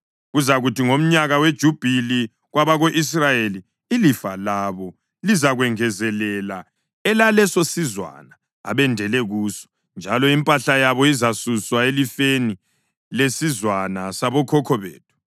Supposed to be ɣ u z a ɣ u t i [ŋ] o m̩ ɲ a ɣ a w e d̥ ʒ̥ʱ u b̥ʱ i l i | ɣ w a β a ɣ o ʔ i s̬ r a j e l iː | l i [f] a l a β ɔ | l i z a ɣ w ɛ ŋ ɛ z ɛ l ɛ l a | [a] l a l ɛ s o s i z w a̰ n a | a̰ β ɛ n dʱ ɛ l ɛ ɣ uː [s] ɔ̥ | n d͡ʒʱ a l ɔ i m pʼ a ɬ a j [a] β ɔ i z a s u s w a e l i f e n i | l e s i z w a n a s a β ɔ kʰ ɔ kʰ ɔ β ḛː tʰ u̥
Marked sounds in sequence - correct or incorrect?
correct, correct, incorrect: ɛ, correct, correct

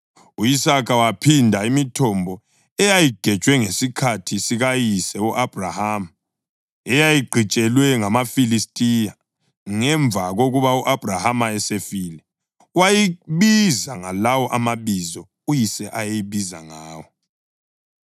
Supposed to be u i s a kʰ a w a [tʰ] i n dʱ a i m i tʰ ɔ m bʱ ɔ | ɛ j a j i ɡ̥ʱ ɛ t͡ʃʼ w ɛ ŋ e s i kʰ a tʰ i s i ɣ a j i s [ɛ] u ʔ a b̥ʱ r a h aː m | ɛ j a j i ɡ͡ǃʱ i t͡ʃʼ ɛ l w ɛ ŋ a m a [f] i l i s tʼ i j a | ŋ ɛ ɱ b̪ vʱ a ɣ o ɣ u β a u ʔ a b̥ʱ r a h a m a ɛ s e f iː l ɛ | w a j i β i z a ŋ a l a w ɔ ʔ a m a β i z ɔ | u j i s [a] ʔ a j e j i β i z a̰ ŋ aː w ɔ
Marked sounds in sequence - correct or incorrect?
incorrect: pʰ, correct, correct, incorrect: ɛ

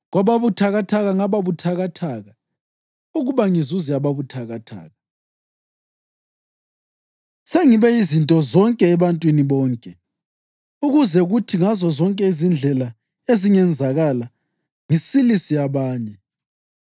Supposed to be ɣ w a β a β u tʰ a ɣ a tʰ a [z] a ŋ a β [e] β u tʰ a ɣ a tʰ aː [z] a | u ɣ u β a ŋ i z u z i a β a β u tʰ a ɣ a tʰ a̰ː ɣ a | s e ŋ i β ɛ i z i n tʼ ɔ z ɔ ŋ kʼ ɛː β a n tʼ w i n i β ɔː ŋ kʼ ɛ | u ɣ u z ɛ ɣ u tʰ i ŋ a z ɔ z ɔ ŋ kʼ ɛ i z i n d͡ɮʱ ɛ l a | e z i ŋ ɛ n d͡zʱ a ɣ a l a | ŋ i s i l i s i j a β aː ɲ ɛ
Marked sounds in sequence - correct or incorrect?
incorrect: ɣ, incorrect: a, incorrect: ɣ

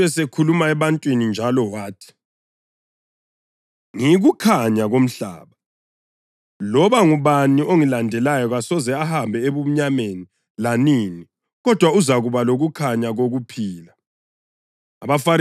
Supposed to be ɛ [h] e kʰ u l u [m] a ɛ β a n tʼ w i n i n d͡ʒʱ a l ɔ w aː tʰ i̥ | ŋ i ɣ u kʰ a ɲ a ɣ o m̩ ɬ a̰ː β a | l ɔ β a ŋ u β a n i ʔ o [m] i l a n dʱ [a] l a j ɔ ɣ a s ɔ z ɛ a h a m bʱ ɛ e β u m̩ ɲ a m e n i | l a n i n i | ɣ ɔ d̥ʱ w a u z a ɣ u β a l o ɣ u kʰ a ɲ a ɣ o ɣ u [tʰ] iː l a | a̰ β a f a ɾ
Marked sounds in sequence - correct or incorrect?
incorrect: s, correct, incorrect: ŋ, incorrect: ɛ, incorrect: pʰ

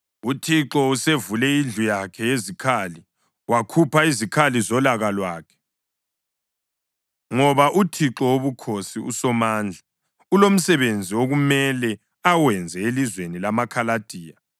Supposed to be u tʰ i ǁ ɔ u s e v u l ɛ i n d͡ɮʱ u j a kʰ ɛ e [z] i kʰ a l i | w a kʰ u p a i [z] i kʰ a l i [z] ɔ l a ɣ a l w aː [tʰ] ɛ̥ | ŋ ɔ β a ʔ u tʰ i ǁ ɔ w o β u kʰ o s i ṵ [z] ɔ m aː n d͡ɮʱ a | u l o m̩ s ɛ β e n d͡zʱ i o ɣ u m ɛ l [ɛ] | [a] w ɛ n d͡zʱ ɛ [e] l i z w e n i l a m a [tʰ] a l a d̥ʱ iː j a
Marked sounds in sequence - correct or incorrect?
correct, correct, correct, incorrect: kʰ, incorrect: s, correct, correct, correct, incorrect: kʰ

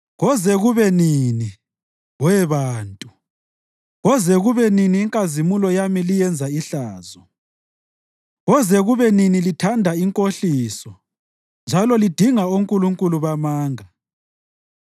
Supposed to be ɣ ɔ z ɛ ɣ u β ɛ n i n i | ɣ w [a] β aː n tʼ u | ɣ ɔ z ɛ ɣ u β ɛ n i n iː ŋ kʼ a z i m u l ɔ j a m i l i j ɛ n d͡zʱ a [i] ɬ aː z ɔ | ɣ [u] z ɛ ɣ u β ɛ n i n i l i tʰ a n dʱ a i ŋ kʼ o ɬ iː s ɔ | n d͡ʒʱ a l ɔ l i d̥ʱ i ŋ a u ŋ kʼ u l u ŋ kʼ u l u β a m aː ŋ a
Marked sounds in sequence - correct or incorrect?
incorrect: ɛ, correct, incorrect: ɔ

